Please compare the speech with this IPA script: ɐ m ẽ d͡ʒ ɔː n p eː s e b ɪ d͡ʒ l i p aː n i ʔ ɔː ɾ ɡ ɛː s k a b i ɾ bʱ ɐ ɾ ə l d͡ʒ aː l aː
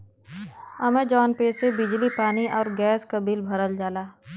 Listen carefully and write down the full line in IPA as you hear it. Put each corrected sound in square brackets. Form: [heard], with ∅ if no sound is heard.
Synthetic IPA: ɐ m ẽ d͡ʒ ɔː n p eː s e b ɪ d͡ʒ l i p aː n i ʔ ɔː ɾ ɡ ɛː s k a b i [l] bʱ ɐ ɾ ə l d͡ʒ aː l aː